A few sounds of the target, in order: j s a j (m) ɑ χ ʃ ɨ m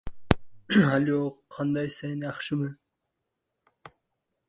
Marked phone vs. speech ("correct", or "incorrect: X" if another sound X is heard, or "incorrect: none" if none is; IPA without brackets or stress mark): incorrect: n